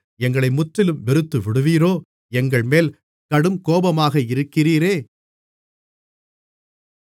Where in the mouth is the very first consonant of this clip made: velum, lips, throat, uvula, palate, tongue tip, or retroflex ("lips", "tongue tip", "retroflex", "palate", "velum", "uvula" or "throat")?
velum